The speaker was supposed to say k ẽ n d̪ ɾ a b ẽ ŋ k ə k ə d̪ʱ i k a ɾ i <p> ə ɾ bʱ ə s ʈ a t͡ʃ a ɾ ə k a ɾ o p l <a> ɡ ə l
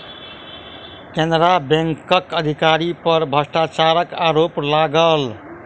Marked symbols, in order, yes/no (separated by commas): yes, yes